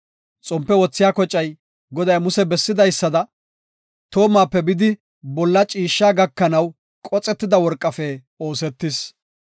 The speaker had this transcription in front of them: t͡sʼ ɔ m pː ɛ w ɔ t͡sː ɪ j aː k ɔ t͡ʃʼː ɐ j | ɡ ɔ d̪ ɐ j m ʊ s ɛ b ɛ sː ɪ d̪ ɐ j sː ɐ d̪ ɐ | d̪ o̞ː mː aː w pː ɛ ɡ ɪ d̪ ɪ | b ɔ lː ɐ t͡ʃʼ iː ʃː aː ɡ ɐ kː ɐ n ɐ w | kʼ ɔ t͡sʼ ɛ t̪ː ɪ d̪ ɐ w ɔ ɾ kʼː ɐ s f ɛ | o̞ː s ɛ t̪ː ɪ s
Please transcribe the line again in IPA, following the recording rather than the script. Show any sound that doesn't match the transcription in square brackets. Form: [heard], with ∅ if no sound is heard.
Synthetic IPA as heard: t͡sʼ ɔ m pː ɛ w ɔ t͡sː ɪ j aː k ɔ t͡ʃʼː ɐ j | ɡ ɔ d̪ ɐ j m ʊ s ɛ b ɛ sː ɪ d̪ ɐ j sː ɐ d̪ ɐ | [t̪] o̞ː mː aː [∅] pː ɛ [b] ɪ d̪ ɪ | b ɔ lː ɐ t͡ʃʼ iː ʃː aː ɡ ɐ kː ɐ n ɐ w | kʼ ɔ t͡sʼ ɛ t̪ː ɪ d̪ ɐ w ɔ ɾ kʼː ɐ [∅] f ɛ | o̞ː s ɛ t̪ː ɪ s